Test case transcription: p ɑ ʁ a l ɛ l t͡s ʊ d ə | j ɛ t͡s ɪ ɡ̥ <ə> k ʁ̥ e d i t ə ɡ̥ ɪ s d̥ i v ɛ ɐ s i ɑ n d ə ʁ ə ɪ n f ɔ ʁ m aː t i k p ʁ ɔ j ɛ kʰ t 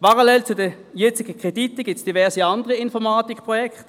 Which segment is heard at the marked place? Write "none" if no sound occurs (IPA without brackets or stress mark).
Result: ə